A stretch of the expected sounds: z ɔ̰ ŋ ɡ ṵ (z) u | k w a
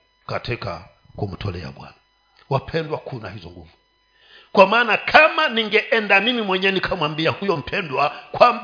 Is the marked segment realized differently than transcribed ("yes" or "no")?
yes